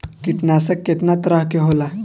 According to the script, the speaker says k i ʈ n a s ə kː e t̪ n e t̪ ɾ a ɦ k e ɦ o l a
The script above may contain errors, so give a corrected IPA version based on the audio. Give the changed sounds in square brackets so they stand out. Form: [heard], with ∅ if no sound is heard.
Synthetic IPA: k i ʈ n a s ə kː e t̪ n [a] t̪ ɾ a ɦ k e ɦ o l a

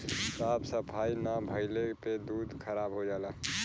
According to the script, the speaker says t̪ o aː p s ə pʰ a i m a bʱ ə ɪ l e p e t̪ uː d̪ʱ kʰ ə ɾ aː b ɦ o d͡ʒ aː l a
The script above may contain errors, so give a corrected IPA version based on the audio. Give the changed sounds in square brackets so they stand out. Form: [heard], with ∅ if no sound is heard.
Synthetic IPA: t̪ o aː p s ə pʰ a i [n] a bʱ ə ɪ l e p e [d̪] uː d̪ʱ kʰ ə ɾ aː b ɦ o d͡ʒ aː l a

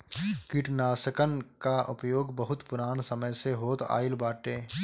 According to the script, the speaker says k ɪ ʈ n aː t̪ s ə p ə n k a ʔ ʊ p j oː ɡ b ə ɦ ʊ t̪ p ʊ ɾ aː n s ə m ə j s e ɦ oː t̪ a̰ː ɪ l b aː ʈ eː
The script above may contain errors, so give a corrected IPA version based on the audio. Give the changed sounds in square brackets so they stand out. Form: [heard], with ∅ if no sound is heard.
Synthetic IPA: k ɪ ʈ n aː [∅] s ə [k] ə n k a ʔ ʊ p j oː ɡ b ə ɦ ʊ t̪ p ʊ ɾ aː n s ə m ə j s e ɦ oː t̪ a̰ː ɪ l b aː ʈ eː

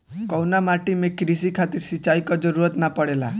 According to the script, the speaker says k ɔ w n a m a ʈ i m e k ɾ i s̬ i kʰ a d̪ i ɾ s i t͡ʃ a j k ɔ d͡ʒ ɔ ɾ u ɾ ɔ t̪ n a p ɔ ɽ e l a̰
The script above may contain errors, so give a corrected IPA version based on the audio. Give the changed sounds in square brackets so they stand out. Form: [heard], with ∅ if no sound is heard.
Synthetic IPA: k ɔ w n a m a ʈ i m e k ɾ i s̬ i kʰ a [t̪] i ɾ s i t͡ʃ a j k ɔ d͡ʒ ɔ ɾ u ɾ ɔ t̪ n a p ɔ ɽ e l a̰

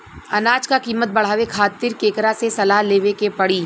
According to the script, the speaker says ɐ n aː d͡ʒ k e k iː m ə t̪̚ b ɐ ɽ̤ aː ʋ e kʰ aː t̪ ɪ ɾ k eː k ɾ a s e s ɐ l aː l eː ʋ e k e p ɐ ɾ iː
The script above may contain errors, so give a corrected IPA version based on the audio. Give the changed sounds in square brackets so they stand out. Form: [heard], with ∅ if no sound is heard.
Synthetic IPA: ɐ n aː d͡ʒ k [a] k iː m ə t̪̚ b ɐ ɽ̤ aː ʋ e kʰ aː t̪ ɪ ɾ k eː k ɾ a s e s ɐ l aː l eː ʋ e k e p ɐ [ɽ] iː

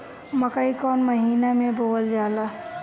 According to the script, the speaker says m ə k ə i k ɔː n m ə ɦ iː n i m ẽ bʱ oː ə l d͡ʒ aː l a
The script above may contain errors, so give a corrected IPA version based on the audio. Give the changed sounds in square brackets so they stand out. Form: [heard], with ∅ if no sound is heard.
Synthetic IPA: m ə k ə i k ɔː n m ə ɦ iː n [a] m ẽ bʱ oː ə l d͡ʒ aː l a

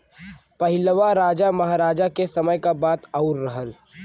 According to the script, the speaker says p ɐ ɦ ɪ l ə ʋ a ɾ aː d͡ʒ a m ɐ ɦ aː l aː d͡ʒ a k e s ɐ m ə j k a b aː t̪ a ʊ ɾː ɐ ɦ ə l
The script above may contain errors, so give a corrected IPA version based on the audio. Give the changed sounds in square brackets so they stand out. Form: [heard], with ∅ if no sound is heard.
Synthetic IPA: p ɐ ɦ ɪ l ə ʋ a ɾ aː d͡ʒ a m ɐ ɦ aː [ɾ] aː d͡ʒ a k e s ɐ m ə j k a b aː t̪ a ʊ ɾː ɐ ɦ ə l

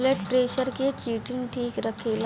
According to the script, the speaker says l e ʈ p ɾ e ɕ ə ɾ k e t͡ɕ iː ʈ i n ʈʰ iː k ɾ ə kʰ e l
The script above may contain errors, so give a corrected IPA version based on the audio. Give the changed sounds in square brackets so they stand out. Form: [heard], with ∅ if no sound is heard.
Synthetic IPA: l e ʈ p ɾ e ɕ ə ɾ k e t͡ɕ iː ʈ i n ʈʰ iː k ɾ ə kʰ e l

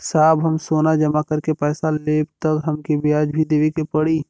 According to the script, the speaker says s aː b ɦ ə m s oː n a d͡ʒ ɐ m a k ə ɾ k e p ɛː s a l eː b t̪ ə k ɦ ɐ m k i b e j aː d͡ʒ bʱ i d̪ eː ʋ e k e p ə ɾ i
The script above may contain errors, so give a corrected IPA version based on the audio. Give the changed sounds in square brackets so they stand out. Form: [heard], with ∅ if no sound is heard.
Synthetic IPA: s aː b ɦ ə m s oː n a d͡ʒ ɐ m a k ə ɾ k e p ɛː s a l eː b t̪ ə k ɦ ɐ m k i b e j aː d͡ʒ bʱ i d̪ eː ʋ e k e p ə [ɽ] i

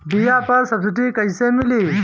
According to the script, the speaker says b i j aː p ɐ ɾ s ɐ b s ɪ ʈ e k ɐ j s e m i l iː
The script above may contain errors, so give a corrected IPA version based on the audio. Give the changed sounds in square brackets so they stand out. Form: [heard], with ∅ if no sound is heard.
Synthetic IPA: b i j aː p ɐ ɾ s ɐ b s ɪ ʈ [i] k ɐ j s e m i l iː

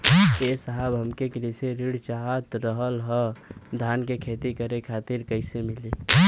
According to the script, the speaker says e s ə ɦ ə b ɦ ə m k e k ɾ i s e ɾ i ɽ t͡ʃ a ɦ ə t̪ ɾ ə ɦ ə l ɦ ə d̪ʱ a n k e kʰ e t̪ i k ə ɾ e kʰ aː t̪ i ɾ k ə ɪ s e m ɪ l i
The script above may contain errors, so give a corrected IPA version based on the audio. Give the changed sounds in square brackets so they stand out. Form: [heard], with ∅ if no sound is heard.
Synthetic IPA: e s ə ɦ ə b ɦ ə m k e k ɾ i s e ɾ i ɽ t͡ʃ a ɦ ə t̪ ɾ ə ɦ ə l ɦ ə d̪ʱ a n k e kʰ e t̪ i k ə ɾ e kʰ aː t̪ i ɾ k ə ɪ s e m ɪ l i

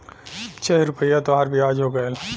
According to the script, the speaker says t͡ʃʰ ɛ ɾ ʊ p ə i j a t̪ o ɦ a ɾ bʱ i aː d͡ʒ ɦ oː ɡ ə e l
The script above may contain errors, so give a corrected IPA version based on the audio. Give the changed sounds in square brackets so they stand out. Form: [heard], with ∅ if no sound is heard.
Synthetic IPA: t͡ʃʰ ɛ ɾ ʊ p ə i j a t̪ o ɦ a ɾ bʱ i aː d͡ʒ ɦ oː ɡ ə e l

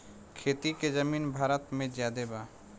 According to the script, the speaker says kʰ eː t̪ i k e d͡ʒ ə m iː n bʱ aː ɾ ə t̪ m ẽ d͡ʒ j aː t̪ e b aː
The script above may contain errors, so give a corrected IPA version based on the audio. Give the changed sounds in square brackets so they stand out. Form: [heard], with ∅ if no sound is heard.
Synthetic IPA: kʰ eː t̪ i k e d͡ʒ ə m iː n bʱ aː ɾ ə t̪ m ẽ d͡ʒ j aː [d̪] e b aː

